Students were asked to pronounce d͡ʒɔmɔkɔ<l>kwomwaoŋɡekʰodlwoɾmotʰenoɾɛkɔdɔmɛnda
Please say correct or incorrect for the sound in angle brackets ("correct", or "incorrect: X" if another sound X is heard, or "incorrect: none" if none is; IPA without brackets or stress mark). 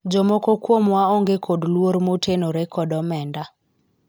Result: incorrect: none